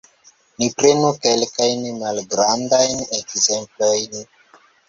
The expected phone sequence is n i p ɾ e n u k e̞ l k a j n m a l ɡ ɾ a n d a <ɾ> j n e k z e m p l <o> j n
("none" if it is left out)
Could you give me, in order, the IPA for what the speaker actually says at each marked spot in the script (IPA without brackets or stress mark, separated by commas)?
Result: none, o